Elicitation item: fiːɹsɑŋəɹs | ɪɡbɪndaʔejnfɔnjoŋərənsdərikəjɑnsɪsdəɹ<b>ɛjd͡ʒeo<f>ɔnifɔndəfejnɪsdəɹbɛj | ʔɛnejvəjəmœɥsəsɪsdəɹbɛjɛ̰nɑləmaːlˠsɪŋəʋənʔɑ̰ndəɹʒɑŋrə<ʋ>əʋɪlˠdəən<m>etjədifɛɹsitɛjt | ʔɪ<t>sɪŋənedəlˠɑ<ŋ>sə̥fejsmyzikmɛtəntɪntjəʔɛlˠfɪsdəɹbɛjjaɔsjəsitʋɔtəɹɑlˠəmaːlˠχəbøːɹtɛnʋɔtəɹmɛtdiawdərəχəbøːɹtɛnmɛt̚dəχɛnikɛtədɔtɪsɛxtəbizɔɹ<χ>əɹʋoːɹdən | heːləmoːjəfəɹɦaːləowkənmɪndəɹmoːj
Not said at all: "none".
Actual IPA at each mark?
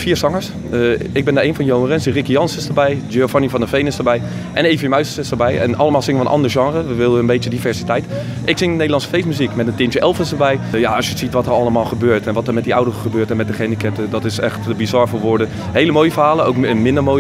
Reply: b, f, ʋ, b, k, n, f

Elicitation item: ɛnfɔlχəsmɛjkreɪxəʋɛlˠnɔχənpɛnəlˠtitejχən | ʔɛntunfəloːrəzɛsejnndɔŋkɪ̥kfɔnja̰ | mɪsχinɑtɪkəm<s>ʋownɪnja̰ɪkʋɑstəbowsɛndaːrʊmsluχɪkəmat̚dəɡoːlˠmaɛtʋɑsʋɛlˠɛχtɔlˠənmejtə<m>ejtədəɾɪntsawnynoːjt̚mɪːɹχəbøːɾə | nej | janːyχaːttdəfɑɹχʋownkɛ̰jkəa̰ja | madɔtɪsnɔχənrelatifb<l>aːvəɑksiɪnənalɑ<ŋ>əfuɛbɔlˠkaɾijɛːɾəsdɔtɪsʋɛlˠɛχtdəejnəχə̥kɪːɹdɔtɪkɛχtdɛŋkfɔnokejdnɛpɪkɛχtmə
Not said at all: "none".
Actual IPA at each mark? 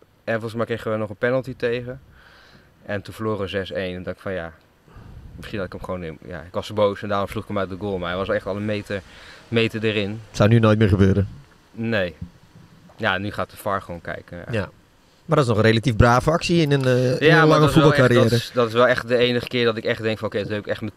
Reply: χ, m, r, ŋ

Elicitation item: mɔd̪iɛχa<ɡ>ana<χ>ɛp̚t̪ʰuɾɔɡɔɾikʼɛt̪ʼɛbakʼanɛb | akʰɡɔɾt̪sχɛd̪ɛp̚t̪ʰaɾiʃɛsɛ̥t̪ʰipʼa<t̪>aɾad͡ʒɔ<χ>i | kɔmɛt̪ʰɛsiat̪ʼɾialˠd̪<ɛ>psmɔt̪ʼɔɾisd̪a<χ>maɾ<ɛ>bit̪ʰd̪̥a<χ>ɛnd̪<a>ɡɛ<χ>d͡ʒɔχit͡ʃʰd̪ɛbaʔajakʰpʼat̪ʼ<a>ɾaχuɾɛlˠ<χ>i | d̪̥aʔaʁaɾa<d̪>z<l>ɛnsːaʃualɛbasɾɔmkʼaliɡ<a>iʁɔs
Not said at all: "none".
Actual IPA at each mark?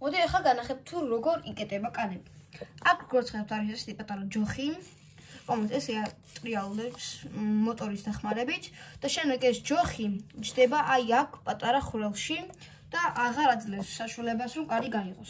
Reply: ɡ, χ, t̪ʼ, χ, ɛ, χ, ɛ, ʃ, ɛ, s, a, ʃ, d̪, l, a

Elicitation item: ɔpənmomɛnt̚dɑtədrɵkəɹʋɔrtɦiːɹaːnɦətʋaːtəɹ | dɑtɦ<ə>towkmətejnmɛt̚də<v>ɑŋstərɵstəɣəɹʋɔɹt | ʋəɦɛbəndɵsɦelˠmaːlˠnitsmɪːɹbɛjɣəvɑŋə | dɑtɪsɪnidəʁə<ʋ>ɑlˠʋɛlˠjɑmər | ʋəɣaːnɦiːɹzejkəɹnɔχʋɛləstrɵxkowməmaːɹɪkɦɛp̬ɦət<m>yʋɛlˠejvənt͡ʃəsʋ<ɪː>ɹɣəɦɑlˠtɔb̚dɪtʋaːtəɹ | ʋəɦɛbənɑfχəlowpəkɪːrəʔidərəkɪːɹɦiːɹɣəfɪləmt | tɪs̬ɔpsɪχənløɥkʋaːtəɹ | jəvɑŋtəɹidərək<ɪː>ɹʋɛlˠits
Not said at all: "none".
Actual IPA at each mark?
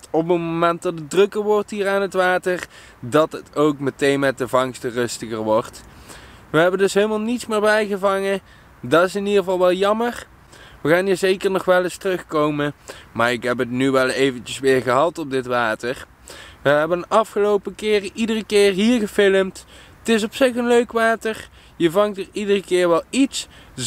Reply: ə, v, v, n, ɪː, ɪː

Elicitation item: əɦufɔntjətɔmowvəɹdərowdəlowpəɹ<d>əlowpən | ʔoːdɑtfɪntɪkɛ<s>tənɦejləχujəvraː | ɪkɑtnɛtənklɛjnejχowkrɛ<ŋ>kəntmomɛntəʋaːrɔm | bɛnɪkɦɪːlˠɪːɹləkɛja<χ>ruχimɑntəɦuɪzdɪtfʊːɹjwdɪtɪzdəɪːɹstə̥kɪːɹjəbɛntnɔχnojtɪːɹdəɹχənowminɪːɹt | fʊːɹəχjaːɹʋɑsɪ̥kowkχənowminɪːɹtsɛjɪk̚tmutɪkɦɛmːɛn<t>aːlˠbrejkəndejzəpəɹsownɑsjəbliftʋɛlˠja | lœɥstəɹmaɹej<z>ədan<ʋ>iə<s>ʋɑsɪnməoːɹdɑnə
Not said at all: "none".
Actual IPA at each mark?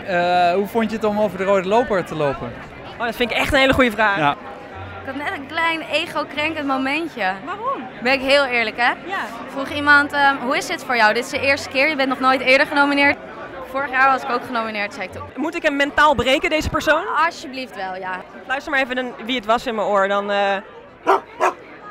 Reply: t, χ, ŋ, f, t, v, ʋ, t

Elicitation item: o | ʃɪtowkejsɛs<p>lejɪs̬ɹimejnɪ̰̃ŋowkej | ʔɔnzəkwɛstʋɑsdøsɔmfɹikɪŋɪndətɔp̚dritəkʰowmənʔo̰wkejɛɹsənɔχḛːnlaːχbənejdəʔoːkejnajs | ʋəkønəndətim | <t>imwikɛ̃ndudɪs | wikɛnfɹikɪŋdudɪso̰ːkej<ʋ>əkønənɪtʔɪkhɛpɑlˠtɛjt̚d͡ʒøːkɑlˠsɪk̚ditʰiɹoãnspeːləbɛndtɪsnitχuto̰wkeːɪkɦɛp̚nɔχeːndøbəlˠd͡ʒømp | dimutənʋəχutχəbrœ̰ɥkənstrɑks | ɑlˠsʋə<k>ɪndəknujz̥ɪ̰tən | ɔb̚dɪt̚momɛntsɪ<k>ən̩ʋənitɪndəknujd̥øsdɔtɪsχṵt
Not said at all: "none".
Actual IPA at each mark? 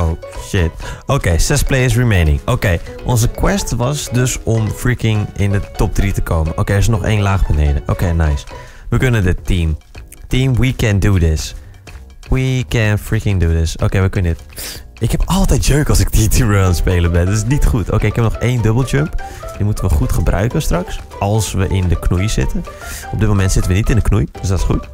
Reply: p, t, ʋ, ʔ, t

